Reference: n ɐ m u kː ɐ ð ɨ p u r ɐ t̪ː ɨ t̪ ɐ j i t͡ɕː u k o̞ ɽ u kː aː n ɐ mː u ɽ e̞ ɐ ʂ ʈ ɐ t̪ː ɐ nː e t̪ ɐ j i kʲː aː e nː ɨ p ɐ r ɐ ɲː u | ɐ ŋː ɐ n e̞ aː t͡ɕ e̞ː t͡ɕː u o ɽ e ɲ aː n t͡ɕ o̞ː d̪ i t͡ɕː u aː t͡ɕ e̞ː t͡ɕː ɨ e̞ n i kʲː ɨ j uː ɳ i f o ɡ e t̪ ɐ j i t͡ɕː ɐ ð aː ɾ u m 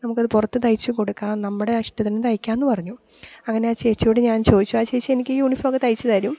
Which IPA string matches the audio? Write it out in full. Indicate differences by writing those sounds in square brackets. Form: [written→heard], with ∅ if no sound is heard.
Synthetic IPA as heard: n ɐ m u kː ɐ ð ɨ p u r ɐ t̪ː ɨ t̪ ɐ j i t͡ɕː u k o̞ ɽ u kː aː n ɐ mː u ɽ e̞ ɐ ʂ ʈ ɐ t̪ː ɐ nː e t̪ ɐ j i kʲː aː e nː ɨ p ɐ r ɐ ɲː u | ɐ ŋː ɐ n e̞ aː t͡ɕ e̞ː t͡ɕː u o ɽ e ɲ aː n t͡ɕ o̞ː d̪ i t͡ɕː u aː t͡ɕ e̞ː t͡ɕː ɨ e̞ n i kʲː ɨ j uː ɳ i f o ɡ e t̪ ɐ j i t͡ɕː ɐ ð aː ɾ u m